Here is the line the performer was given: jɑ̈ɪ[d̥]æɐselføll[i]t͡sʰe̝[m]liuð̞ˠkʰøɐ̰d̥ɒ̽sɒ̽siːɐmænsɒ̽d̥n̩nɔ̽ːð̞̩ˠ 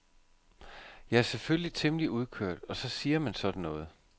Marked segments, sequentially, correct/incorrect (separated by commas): incorrect, correct, correct